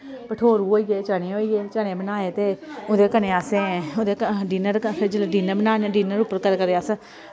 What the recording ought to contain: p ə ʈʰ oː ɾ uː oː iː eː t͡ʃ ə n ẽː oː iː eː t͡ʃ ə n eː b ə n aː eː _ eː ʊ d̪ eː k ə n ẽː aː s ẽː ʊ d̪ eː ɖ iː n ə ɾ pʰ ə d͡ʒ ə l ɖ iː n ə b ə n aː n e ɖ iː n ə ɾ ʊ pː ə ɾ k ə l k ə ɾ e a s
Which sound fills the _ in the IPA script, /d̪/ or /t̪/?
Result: t̪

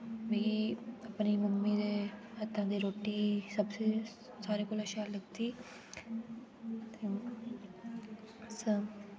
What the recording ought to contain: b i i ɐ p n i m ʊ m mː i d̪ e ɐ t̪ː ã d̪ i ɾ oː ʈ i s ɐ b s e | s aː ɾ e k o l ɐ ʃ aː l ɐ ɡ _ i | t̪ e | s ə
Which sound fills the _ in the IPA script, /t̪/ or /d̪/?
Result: t̪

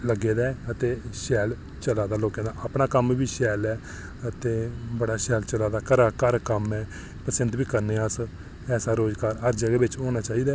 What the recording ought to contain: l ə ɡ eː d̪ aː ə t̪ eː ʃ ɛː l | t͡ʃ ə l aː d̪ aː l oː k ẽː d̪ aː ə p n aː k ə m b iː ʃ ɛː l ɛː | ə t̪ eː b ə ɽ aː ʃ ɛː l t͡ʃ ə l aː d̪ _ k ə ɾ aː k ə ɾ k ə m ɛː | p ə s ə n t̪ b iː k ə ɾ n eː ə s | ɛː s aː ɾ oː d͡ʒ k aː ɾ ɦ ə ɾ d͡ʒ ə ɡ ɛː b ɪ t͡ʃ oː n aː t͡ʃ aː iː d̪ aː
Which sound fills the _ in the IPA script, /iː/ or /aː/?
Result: aː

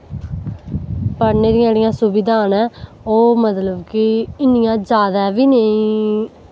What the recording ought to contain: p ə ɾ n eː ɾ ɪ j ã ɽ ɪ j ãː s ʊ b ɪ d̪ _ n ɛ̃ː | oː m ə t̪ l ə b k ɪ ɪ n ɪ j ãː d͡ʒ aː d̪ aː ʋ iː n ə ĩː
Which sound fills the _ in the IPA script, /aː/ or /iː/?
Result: aː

